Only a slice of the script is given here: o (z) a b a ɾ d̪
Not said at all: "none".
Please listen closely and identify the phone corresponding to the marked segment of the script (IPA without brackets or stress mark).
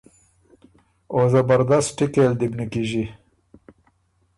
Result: z